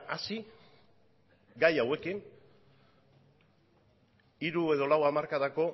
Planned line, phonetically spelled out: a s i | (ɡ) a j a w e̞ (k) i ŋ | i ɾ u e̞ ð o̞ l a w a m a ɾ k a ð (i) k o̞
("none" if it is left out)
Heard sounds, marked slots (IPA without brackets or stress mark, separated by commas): ɡ, k, a